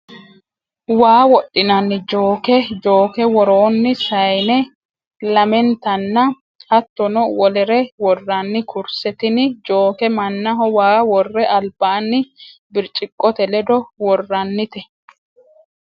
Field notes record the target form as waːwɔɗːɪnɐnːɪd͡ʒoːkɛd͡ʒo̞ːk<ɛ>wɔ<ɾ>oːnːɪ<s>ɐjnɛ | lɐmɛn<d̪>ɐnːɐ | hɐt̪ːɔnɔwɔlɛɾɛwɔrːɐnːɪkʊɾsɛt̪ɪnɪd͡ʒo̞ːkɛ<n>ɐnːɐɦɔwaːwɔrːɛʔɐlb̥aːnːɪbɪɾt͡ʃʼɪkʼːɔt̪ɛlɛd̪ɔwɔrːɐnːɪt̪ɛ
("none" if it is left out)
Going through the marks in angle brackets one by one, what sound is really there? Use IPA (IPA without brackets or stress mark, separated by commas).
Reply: ɛ, ɾ, s, t̪, m